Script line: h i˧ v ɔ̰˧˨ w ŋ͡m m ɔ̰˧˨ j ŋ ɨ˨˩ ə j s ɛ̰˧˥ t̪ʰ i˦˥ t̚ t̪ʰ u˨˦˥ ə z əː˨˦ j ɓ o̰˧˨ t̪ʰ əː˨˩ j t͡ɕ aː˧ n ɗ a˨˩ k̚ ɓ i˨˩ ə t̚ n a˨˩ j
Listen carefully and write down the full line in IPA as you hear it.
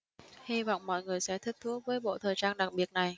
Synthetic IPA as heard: h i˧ v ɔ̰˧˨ w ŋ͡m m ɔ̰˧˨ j ŋ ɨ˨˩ ə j s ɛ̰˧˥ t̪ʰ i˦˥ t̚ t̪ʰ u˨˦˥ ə v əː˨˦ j ɓ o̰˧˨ t̪ʰ əː˨˩ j t͡ɕ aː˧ n ɗ a˨˩ k̚ ɓ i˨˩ ə t̚ n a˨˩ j